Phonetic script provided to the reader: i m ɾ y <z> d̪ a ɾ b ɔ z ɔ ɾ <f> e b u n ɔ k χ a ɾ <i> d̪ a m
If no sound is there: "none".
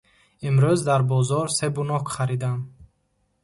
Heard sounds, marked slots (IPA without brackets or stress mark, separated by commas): z, s, i